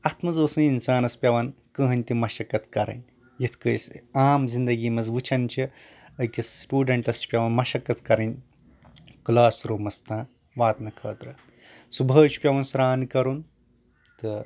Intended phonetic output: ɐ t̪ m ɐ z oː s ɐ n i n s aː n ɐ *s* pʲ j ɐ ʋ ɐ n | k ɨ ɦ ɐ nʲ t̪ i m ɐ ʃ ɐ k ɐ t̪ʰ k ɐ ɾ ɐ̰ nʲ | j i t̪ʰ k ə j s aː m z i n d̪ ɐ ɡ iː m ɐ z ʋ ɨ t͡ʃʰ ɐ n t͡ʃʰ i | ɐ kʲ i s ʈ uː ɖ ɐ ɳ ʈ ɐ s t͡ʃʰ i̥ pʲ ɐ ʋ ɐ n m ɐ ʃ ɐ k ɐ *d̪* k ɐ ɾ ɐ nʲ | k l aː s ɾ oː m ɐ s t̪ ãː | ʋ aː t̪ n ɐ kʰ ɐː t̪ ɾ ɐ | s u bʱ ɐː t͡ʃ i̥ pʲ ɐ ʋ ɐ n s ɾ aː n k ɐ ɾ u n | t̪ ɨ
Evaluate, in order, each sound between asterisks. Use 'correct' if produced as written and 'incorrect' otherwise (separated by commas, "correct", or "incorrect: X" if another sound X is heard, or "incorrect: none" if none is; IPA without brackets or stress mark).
correct, incorrect: t̪